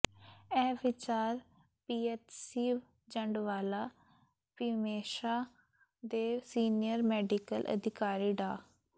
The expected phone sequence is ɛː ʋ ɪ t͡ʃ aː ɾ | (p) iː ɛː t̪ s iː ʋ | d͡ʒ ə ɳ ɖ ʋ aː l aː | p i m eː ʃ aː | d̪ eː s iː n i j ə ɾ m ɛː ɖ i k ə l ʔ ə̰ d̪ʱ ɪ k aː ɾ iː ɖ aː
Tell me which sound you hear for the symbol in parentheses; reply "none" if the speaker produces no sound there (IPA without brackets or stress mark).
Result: p